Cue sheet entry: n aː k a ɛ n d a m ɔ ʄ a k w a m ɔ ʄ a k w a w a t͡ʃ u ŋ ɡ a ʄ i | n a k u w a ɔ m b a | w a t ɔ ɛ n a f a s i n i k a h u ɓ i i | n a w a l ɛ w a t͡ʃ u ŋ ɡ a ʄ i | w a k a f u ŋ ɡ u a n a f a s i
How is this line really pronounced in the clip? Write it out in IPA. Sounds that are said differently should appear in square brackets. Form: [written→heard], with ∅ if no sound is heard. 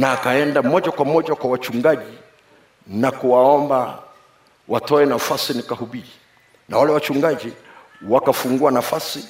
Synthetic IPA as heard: n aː k a ɛ n d a m ɔ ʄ a k w a m ɔ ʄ a k w a w a t͡ʃ u ŋ ɡ a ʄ i | n a k u w a ɔ m b a | w a t ɔ ɛ n a f a s i n i k a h u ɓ i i | n a w a l ɛ w a t͡ʃ u ŋ ɡ a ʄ i | w a k a f u ŋ ɡ u a n a f a s i